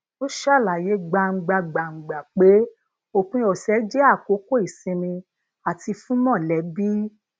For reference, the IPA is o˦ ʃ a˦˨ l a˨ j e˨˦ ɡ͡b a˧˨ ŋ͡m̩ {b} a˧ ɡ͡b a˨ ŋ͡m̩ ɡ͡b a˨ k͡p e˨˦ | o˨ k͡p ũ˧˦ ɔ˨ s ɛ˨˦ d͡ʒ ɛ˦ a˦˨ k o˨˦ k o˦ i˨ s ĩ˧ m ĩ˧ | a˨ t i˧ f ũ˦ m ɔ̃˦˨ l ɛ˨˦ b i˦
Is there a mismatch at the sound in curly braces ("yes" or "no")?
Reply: yes